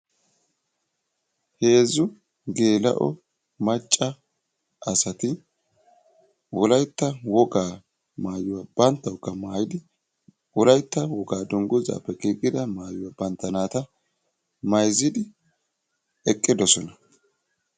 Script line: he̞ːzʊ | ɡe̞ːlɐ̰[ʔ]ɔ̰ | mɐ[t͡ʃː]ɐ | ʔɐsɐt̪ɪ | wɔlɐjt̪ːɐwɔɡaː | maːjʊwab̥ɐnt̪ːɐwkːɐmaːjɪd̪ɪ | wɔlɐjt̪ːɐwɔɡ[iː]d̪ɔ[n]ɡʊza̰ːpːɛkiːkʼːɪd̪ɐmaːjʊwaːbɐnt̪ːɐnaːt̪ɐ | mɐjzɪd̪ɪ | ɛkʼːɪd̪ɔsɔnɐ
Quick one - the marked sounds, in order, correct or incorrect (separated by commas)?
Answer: correct, incorrect, incorrect, incorrect